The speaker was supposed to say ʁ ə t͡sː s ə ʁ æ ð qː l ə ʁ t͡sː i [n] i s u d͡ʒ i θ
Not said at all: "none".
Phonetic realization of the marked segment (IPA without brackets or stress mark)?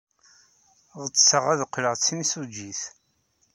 n